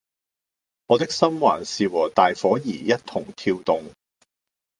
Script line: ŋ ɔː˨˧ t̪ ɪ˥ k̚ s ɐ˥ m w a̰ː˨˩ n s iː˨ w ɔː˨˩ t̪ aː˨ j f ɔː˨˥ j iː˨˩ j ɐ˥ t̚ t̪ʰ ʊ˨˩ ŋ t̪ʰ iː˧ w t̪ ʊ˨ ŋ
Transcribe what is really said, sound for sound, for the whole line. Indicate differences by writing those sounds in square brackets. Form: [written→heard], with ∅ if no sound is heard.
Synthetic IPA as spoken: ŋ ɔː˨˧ t̪ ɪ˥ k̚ s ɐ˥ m w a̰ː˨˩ n s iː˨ w ɔː˨˩ t̪ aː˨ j f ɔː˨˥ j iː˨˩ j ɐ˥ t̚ t̪ʰ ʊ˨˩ ŋ t̪ʰ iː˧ w t̪ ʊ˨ ŋ